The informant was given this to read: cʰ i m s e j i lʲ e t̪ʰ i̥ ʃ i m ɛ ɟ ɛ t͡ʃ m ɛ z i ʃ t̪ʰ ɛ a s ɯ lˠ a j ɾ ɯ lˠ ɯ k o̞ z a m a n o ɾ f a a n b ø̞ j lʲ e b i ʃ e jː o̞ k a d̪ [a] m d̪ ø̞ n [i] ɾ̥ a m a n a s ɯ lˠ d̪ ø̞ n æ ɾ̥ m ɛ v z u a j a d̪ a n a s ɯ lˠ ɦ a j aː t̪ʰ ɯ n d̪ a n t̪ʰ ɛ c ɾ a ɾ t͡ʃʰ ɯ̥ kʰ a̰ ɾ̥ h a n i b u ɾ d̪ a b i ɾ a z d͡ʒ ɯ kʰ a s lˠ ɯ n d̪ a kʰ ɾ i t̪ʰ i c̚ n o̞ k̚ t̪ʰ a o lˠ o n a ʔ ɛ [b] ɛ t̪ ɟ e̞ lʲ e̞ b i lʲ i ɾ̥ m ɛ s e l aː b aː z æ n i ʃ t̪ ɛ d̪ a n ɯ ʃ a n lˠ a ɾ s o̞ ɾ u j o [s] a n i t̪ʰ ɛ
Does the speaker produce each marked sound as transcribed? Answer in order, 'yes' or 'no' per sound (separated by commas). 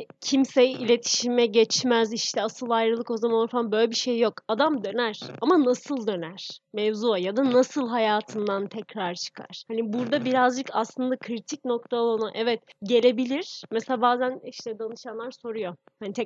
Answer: yes, no, no, no